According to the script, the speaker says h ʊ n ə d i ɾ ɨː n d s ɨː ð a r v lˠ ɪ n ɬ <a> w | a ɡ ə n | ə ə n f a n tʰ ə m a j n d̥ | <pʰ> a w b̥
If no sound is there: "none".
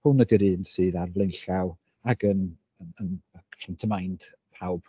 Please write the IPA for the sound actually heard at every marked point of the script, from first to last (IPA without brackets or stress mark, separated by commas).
a, pʰ